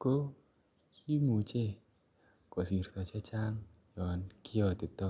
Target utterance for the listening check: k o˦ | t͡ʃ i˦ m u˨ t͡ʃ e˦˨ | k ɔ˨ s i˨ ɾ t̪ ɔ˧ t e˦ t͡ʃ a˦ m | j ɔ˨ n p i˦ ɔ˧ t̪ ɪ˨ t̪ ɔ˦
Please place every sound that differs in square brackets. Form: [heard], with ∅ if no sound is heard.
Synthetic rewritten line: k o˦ | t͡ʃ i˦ m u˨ t͡ʃ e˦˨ | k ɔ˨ s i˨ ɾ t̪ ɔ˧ [t͡ʃ] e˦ t͡ʃ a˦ [ŋ] | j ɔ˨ n [k] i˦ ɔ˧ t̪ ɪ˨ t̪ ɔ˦